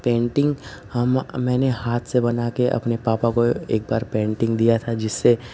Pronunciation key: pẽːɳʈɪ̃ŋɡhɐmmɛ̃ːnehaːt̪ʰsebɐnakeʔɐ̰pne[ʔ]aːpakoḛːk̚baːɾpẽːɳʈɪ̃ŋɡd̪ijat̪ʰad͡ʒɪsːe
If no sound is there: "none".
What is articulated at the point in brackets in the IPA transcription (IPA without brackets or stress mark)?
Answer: p